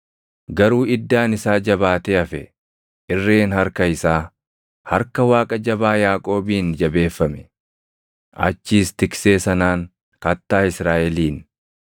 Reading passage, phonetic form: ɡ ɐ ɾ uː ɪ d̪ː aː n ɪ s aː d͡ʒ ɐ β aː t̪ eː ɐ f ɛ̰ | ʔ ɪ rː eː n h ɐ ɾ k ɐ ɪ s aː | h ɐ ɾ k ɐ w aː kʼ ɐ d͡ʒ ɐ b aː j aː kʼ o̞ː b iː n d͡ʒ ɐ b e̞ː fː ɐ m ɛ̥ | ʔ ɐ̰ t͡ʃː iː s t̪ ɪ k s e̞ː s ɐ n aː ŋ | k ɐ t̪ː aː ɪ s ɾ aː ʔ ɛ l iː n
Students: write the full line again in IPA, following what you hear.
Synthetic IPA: ɡ ɐ ɾ uː ɪ d̪ː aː n ɪ s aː d͡ʒ ɐ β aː t̪ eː ɐ f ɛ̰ | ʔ ɪ rː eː n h ɐ ɾ k ɐ ɪ s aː | h ɐ ɾ k ɐ w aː kʼ ɐ d͡ʒ ɐ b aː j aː kʼ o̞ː b iː n d͡ʒ ɐ b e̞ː fː ɐ m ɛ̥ | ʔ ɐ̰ t͡ʃː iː s t̪ ɪ k s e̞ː s ɐ n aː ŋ | k ɐ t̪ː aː ɪ s ɾ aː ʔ ɛ l iː n

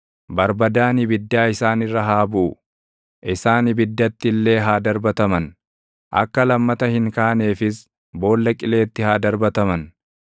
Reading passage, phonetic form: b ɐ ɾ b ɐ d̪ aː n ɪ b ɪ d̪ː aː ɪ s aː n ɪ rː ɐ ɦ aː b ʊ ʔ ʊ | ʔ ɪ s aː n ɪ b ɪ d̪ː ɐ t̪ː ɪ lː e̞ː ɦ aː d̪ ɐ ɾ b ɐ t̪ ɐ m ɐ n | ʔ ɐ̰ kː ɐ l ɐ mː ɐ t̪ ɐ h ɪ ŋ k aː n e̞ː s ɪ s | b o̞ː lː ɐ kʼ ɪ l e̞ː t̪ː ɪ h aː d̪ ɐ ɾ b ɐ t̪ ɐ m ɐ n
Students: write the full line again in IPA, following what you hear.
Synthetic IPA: b ɐ ɾ b ɐ d̪ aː n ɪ b ɪ d̪ː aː ɪ s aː n ɪ rː ɐ ɦ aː b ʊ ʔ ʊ | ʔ ɪ s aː n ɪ b ɪ d̪ː ɐ t̪ː ɪ lː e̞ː ɦ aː d̪ ɐ ɾ b ɐ t̪ ɐ m ɐ n | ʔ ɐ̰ kː ɐ l ɐ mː ɐ t̪ ɐ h ɪ ŋ k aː n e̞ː f ɪ s | b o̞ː lː ɐ kʼ ɪ l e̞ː t̪ː ɪ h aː d̪ ɐ ɾ b ɐ t̪ ɐ m ɐ n

